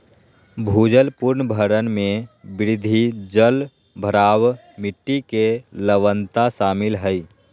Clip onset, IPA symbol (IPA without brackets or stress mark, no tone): bʱ